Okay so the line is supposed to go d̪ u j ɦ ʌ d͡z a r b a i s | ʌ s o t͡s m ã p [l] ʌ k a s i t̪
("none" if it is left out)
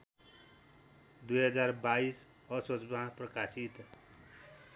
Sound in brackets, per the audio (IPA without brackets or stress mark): r